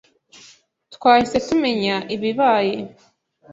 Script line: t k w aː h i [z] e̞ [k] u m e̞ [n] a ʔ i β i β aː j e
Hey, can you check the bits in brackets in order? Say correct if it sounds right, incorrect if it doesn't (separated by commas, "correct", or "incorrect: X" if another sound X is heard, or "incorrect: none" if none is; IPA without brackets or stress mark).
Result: incorrect: s, incorrect: t, incorrect: ɲ